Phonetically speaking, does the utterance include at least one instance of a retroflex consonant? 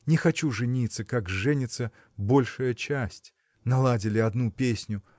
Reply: yes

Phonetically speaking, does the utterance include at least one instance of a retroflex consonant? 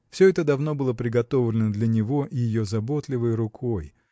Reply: no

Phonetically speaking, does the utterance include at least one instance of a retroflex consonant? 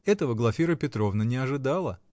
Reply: yes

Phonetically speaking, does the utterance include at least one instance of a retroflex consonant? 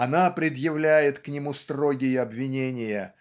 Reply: no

